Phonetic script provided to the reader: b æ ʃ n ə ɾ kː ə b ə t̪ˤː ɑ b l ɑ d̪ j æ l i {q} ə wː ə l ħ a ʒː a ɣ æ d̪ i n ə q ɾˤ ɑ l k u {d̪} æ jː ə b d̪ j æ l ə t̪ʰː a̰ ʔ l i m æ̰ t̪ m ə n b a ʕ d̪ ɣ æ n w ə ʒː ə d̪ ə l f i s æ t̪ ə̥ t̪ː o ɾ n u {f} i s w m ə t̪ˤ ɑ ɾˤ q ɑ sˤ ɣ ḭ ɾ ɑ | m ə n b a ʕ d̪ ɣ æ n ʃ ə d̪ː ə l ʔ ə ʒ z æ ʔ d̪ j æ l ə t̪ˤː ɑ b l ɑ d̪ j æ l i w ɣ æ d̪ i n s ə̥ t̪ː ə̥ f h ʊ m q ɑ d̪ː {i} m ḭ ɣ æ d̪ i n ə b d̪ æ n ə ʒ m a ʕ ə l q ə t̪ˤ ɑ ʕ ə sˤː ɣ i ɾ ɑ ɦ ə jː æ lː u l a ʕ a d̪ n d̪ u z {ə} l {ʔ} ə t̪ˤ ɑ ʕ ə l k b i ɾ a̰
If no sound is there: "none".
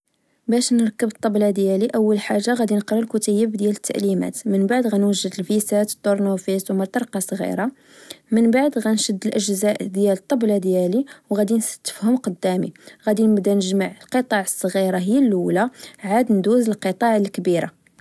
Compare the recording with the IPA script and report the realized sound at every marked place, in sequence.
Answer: ʔ, t̪, f, æ, ə, q

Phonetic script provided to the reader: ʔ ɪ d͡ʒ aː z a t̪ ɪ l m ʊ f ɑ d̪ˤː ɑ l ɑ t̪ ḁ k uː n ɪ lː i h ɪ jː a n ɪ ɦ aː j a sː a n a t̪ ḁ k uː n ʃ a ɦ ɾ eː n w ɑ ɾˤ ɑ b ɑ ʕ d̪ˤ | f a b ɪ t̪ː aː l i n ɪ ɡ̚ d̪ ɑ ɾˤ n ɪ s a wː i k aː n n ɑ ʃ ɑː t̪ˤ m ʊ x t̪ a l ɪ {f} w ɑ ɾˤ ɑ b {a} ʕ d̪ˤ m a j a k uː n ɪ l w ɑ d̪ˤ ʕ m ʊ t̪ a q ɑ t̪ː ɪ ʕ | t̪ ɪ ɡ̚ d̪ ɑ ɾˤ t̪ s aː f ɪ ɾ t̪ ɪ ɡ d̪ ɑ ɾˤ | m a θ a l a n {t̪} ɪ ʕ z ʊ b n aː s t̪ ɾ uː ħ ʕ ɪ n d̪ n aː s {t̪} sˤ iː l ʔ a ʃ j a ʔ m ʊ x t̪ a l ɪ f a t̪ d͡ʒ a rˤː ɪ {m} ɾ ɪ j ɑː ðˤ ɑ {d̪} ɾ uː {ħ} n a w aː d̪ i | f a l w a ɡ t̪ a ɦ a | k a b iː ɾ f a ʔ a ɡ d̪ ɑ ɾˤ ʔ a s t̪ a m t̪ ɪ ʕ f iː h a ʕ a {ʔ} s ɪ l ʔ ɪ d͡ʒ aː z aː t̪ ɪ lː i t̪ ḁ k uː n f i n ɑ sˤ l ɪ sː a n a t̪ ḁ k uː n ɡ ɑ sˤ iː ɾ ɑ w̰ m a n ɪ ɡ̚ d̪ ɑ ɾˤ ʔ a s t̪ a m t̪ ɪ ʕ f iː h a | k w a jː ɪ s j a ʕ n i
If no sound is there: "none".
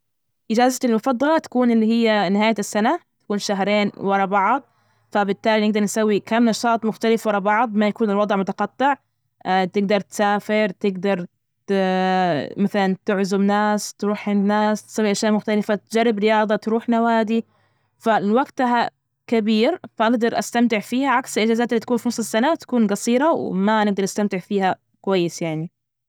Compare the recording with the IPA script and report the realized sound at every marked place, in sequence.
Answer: f, ɑ, t̪, t̪, b, t̪, ħ, k

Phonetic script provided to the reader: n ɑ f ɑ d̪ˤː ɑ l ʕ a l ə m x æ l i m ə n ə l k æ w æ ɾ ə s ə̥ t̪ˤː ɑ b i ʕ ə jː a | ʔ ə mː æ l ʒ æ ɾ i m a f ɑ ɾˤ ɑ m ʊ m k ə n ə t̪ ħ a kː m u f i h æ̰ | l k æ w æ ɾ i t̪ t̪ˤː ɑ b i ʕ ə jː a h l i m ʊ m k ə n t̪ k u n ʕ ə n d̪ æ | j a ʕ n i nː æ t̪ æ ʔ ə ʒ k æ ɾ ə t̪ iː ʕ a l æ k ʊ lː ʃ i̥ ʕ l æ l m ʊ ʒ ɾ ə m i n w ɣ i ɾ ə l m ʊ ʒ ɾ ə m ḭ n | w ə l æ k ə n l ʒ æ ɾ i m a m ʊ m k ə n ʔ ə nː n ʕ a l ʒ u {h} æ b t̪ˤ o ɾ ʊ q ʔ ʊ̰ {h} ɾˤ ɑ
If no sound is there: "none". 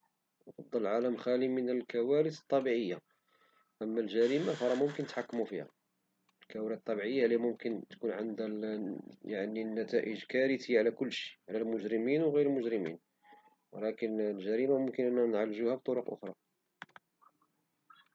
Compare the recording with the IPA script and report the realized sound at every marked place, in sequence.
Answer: h, x

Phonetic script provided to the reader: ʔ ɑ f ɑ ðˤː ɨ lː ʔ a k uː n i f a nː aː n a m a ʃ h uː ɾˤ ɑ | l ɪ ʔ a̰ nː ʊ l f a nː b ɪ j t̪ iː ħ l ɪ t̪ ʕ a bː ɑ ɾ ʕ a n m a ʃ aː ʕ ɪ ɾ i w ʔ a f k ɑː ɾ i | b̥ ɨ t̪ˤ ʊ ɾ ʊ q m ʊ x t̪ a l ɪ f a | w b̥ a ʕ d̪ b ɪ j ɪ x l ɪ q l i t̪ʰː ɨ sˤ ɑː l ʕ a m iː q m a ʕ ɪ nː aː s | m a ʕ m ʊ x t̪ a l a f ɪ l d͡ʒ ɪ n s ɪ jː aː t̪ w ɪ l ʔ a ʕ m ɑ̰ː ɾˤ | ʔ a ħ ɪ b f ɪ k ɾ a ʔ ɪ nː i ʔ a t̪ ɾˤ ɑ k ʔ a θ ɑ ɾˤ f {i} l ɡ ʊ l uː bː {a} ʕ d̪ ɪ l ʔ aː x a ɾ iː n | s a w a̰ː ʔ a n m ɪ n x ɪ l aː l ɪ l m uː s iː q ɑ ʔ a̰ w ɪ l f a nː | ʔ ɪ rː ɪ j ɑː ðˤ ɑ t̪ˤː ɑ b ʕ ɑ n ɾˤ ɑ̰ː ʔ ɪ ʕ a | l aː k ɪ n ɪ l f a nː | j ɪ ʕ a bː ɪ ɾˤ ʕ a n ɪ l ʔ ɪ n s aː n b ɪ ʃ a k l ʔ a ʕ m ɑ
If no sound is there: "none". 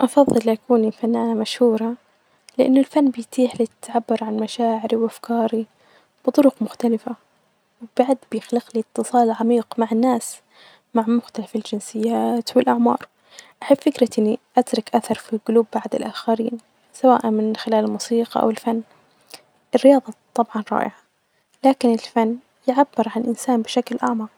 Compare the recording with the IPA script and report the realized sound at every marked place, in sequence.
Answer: i, a

